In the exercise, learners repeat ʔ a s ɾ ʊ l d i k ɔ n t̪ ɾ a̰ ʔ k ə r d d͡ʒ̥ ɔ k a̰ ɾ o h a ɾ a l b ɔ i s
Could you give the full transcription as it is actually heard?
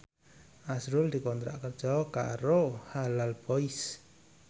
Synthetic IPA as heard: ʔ a s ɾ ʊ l d i k ɔ n t̪ ɾ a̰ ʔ k ə r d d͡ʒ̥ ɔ k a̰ ɾ o h a l a l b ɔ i s